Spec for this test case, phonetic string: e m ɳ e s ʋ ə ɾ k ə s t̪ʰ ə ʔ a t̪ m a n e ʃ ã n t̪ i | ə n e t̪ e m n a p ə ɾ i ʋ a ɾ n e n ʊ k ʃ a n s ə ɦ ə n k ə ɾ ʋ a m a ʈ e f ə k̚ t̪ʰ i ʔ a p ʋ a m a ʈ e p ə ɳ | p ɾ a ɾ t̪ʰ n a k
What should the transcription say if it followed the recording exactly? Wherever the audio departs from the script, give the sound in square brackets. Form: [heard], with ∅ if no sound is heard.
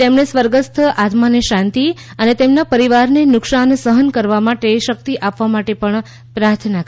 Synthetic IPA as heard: e m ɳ e s ʋ ə ɾ [ɡ] ə s t̪ʰ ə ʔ a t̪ m a n e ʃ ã n t̪ i | ə n e t̪ e m n a p ə ɾ i ʋ a ɾ n e n ʊ k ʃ a n s ə ɦ ə n k ə ɾ ʋ a m a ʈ e [ʃ] ə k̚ [t̪] i ʔ a p ʋ a m a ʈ e p ə ɳ | p ɾ a ɾ t̪ʰ n a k